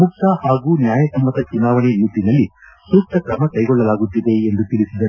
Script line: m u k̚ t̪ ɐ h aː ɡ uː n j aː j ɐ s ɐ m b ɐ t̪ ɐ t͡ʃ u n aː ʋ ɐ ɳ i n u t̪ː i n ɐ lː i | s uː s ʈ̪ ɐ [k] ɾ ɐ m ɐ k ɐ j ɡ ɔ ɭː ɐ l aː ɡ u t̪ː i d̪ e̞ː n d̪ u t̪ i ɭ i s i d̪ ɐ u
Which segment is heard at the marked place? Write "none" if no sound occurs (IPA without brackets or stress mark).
k